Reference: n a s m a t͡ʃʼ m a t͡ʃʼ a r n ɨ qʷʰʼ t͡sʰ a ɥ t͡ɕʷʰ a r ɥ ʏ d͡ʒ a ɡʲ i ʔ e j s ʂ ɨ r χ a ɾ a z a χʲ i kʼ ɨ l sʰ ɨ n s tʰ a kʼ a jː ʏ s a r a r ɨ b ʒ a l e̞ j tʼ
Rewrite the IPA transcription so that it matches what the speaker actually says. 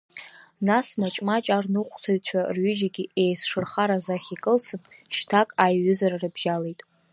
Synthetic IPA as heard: n a s m a t͡ʃʼ m a t͡ʃʼ a r n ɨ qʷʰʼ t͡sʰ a ɥ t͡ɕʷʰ a r ɥ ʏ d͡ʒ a ɡʲ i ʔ e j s ʂ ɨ r χ a ɾ a z a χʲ i kʼ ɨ l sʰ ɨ n ʃ tʰ a kʼ a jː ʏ z a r a r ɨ b ʒ a l e̞ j tʼ